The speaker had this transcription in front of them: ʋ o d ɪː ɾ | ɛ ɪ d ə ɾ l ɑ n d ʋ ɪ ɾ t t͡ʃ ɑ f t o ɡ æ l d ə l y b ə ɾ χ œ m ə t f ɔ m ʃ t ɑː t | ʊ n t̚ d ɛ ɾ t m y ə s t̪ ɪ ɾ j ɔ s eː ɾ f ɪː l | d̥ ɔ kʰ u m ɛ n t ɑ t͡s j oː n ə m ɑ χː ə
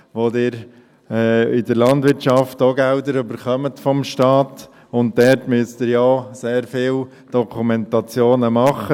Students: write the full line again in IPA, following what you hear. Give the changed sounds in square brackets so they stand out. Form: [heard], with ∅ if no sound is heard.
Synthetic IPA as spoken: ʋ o d ɪː ɾ | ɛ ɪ d ə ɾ l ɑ n d ʋ ɪ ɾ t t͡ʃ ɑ f t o ɡ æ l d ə [ɾ] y b ə ɾ χ œ m ə t f ɔ m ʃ t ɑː t | ʊ n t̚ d ɛ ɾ t m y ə s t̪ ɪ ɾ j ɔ s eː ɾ f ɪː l | d̥ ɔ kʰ u m ɛ n t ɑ t͡s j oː n ə m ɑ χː ə